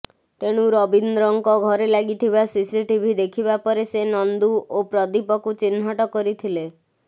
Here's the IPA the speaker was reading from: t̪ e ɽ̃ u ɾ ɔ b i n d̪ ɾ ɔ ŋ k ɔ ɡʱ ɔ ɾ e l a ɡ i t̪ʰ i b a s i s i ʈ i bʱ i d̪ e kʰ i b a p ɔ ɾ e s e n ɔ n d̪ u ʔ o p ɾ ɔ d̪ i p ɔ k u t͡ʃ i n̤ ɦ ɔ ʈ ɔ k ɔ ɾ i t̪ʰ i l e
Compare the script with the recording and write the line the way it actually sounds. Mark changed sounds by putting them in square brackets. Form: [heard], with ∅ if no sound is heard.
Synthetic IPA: t̪ e ɽ̃ u ɾ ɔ b i n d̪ ɾ ɔ ŋ k ɔ ɡʱ ɔ ɾ e l a ɡ i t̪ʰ i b a s i s i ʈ i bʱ i d̪ e kʰ i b a p ɔ ɾ e s e n ɔ n d̪ u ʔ o p ɾ ɔ d̪ i p ɔ k u t͡ʃ i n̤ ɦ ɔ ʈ ɔ k ɔ ɾ i t̪ʰ i l e